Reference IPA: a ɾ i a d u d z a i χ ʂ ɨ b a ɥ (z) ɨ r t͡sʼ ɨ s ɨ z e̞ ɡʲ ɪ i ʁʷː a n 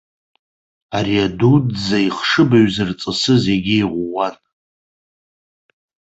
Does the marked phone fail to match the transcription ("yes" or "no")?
no